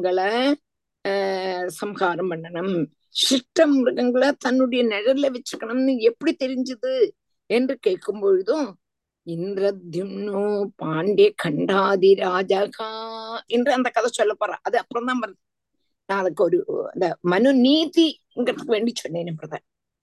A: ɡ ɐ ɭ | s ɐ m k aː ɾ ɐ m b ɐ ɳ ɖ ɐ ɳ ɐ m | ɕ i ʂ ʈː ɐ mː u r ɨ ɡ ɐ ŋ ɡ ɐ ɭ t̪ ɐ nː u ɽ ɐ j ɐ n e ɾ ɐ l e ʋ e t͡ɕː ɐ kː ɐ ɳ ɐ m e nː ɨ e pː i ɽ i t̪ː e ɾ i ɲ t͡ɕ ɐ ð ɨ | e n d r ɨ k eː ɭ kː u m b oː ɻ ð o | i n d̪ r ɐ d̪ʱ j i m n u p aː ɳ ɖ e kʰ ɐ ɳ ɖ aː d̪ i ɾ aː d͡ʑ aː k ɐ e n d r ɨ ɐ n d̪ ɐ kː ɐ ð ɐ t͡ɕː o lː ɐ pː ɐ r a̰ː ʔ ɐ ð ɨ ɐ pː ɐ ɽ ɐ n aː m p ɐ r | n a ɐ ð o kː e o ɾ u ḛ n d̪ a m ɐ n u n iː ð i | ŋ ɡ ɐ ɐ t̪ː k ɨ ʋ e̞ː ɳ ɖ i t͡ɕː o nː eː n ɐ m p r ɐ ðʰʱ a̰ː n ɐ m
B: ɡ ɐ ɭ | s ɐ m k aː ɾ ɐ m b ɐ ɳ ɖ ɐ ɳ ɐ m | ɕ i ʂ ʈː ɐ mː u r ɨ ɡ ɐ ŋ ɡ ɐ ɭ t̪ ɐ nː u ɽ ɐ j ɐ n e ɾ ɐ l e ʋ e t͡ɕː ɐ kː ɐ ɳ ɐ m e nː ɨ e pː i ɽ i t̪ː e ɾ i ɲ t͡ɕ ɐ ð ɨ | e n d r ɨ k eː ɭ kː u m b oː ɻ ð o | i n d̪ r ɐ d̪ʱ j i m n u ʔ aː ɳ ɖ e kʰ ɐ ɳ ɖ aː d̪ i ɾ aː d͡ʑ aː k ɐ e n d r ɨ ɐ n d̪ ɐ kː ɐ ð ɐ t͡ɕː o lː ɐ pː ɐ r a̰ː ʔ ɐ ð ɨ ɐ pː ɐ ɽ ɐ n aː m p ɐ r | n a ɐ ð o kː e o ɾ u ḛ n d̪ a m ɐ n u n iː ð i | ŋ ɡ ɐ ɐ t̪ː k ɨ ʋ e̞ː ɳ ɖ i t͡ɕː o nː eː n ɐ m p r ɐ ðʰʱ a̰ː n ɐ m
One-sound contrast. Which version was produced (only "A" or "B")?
A